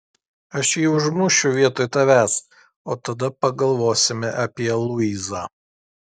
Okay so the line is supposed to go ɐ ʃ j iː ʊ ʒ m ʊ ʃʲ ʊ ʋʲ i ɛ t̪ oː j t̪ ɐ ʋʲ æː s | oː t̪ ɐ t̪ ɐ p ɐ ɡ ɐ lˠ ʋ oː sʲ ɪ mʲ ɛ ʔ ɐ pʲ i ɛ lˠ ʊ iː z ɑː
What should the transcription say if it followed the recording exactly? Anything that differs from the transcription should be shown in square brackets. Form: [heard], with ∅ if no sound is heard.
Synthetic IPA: ɐ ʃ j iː ʊ ʒ m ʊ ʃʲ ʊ ʋʲ i ɛ t̪ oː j t̪ ɐ ʋʲ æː s | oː t̪ ɐ [d̪] ɐ p ɐ ɡ ɐ lˠ ʋ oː sʲ ɪ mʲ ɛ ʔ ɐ pʲ i ɛ lˠ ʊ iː z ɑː